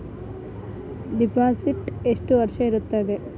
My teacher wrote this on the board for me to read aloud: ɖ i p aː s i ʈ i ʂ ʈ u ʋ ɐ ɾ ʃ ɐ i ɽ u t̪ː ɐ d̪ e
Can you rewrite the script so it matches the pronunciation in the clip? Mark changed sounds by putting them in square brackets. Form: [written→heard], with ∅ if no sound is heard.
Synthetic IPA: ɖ i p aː s i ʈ [i→e] ʂ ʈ u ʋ ɐ ɾ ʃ ɐ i [ɽ→ɾ] u t̪ː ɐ d̪ e

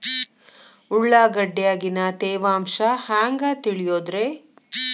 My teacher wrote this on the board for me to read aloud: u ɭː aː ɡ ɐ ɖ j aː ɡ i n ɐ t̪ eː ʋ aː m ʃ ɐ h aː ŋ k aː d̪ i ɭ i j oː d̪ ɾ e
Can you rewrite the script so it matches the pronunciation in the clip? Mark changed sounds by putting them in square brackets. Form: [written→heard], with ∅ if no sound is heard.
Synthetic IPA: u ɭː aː ɡ ɐ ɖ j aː ɡ i n ɐ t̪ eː ʋ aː m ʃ ɐ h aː ŋ [k→ɡ] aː [d̪→t̪] i ɭ i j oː d̪ ɾ e

